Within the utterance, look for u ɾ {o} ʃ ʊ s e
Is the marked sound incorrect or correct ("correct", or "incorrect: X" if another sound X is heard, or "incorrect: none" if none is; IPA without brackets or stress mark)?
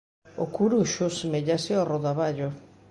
incorrect: u